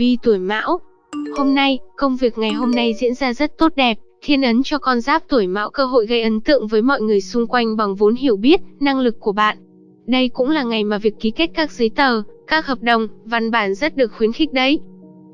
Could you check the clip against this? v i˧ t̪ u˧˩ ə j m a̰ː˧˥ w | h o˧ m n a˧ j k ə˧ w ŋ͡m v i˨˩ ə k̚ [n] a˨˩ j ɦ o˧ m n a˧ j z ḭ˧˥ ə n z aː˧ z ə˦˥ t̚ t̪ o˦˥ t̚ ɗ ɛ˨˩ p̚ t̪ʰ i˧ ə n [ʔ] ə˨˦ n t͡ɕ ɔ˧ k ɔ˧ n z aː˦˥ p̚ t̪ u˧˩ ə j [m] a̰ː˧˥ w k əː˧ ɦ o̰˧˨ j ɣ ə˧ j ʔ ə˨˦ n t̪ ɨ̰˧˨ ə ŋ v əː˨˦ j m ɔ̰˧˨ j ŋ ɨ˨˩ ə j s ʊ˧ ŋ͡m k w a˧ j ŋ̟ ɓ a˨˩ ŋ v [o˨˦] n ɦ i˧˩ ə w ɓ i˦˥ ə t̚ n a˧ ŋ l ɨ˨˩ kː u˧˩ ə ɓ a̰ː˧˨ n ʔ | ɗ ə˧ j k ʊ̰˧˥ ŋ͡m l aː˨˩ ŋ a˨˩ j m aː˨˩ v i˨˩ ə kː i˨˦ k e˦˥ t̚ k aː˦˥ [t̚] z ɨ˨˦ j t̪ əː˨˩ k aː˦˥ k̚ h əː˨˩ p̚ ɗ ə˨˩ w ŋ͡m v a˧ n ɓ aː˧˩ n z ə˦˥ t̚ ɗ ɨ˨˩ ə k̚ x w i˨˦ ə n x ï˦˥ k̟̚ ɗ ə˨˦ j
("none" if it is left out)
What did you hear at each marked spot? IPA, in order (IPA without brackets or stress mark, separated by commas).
ŋ, ʔ, m, o˨˦, k̚